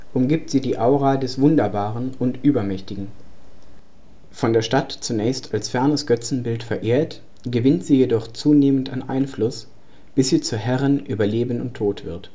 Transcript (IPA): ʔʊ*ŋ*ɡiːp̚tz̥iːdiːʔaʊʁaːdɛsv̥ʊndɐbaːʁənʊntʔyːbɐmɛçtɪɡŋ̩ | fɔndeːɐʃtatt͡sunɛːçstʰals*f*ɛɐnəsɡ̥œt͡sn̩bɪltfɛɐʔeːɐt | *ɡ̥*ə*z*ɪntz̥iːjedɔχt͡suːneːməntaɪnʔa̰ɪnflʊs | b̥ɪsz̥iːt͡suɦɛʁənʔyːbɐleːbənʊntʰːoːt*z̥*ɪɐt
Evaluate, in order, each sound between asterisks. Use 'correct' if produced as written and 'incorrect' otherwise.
incorrect: m, correct, correct, incorrect: v, incorrect: v̥

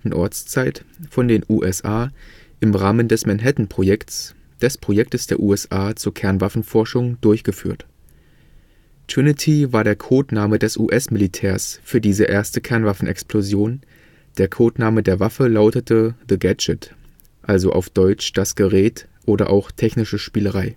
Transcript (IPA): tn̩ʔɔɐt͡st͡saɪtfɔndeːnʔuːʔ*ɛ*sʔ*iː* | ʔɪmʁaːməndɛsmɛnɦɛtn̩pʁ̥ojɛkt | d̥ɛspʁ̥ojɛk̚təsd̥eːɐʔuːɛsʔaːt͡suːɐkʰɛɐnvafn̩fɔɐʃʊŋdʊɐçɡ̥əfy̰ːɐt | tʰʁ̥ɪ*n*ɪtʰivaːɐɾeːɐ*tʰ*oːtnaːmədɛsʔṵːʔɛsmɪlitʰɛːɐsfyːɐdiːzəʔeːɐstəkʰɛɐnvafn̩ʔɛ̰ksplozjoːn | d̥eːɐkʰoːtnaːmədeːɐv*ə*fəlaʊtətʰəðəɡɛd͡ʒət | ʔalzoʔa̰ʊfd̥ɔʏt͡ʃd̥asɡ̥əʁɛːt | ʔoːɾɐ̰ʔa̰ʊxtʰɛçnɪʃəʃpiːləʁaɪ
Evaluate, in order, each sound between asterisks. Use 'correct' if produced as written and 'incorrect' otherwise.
correct, incorrect: aː, correct, incorrect: kʰ, incorrect: a

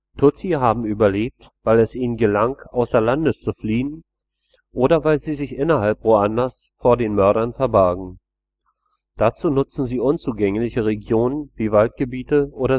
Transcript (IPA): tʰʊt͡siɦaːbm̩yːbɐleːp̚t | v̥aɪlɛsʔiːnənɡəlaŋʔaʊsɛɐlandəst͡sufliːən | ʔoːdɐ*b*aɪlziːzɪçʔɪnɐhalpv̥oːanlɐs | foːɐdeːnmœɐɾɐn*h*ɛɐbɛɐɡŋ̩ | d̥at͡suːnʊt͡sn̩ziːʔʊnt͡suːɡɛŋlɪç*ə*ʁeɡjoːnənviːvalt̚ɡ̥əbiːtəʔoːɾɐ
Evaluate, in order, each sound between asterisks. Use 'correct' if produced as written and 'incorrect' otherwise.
incorrect: v, incorrect: f, correct

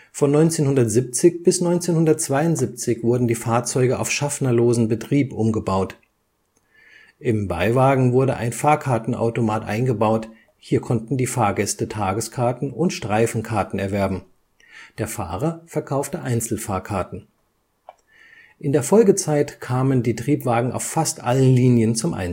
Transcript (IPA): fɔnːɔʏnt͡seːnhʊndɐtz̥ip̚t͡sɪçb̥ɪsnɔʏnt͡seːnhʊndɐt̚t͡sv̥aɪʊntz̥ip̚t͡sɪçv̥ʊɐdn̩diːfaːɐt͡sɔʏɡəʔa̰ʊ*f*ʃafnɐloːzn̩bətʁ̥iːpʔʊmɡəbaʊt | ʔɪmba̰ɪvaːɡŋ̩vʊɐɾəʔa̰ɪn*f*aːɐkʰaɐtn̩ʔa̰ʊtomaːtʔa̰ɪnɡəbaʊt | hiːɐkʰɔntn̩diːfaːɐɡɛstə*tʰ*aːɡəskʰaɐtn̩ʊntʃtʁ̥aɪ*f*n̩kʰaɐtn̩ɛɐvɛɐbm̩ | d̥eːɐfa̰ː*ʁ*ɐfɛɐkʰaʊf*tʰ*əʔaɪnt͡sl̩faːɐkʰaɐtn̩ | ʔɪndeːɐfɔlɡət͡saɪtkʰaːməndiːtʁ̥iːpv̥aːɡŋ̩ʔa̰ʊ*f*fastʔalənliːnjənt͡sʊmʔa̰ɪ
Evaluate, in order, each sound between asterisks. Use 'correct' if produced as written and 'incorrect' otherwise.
correct, correct, correct, correct, correct, incorrect: t, correct

